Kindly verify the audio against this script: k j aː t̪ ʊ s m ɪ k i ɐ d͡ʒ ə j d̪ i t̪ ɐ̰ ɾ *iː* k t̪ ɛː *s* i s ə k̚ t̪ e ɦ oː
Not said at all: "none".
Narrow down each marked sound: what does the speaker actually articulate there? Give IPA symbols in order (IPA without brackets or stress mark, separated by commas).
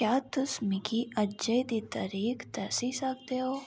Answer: iː, s